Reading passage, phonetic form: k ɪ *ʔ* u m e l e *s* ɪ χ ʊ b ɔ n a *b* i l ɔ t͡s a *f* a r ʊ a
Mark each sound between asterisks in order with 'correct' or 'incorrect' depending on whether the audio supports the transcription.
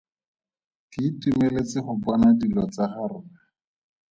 incorrect: t, incorrect: t͡s, incorrect: d, incorrect: χ

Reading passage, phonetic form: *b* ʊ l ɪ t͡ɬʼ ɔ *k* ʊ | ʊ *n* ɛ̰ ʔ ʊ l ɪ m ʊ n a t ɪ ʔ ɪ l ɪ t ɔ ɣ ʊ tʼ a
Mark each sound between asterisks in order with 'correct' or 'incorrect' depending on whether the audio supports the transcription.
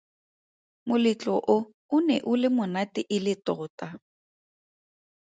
incorrect: m, incorrect: ʔ, correct

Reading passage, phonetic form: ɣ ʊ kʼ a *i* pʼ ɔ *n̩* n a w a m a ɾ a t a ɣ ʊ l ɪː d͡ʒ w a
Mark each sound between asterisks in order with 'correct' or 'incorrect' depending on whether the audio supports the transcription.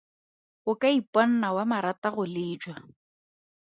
correct, correct

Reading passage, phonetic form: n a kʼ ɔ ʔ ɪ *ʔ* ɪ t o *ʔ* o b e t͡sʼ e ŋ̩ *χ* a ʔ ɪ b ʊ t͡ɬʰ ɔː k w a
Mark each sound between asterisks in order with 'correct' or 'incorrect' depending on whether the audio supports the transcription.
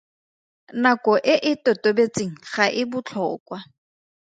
correct, incorrect: t, correct

